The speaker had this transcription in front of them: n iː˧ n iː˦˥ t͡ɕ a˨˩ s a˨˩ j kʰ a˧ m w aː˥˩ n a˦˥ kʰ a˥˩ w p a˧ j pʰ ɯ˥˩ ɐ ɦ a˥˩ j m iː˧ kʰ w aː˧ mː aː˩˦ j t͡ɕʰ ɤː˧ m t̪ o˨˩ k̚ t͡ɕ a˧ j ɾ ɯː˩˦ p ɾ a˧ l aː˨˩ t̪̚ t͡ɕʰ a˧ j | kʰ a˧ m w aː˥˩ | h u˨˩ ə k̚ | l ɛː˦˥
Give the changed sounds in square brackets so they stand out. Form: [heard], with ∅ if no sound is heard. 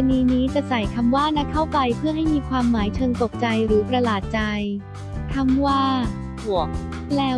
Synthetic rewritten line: n iː˧ n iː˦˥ t͡ɕ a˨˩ s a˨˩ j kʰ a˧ m w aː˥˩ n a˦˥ kʰ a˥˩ w p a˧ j pʰ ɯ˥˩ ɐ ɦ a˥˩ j m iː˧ kʰ w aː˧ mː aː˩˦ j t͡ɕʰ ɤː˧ [ŋ] t̪ o˨˩ k̚ t͡ɕ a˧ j ɾ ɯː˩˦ p ɾ a˧ l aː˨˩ t̪̚ [t͡ɕ] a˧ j | kʰ [a˥˩] m w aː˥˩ | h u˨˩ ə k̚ | l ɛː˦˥